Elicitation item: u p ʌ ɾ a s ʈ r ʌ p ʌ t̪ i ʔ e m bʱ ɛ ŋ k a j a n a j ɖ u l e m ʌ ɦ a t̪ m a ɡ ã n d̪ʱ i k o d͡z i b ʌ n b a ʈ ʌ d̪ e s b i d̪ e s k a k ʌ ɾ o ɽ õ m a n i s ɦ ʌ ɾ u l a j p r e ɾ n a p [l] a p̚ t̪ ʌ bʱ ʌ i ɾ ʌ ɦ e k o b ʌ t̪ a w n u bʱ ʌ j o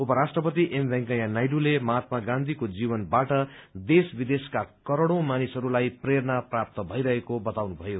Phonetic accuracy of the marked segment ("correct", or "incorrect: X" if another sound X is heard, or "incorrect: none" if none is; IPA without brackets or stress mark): incorrect: r